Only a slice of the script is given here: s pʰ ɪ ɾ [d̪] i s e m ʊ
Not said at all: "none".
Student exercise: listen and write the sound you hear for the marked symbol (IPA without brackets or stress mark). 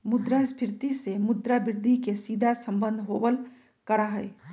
t̪